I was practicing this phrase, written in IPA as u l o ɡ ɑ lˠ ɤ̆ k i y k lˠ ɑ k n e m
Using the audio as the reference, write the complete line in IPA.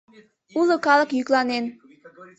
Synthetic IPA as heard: u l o k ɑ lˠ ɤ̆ k j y k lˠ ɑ n e n